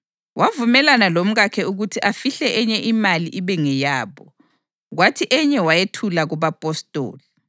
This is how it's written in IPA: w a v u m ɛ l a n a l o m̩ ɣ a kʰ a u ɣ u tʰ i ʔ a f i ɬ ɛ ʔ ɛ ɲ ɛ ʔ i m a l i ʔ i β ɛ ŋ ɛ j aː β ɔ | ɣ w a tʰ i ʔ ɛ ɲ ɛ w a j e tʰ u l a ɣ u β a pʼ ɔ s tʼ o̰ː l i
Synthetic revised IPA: w a v u m ɛ l a n a l o m̩ ɣ a kʰ ɛ u ɣ u tʰ i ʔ a f i ɬ ɛ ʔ ɛ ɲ ɛ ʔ i m a l i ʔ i β ɛ ŋ ɛ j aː β ɔ | ɣ w a tʰ i ʔ ɛ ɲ ɛ w a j e tʰ u l a ɣ u β a pʼ ɔ s tʼ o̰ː l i